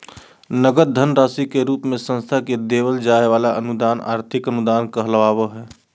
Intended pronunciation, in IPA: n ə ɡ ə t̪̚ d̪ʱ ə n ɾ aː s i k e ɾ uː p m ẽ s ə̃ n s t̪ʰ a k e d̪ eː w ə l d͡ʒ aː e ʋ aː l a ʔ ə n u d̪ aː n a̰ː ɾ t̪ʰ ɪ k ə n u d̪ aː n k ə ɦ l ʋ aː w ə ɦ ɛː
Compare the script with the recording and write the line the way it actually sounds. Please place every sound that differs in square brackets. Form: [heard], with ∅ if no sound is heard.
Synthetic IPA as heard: n ə ɡ ə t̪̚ d̪ʱ ə n ɾ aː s i k e ɾ uː p m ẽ s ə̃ n s t̪ʰ a k e d̪ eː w ə l d͡ʒ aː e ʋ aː l a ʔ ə n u d̪ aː n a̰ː ɾ t̪ʰ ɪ k ə n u d̪ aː n k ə ɦ l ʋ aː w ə ɦ ɛː